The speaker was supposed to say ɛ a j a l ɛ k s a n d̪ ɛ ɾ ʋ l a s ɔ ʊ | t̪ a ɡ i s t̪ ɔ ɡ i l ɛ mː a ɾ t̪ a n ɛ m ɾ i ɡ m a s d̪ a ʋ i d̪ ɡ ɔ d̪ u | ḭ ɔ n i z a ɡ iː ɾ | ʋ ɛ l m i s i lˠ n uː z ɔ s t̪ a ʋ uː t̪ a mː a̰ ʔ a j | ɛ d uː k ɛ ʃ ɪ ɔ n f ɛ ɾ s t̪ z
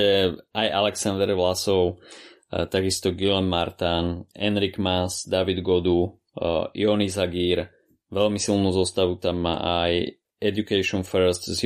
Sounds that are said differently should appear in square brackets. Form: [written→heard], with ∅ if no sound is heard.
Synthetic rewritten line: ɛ a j a l ɛ k s a n d̪ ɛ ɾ ʋ l a s ɔ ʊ | t̪ a ɡ i s t̪ ɔ ɡ i l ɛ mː a ɾ t̪ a n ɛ [m→n] ɾ i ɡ m a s d̪ a ʋ i d̪ ɡ ɔ d̪ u | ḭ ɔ n i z a ɡ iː ɾ | ʋ ɛ l m i s i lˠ n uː z ɔ s t̪ a ʋ [uː→u] t̪ a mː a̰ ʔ a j | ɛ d [uː→u] k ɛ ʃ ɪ ɔ n f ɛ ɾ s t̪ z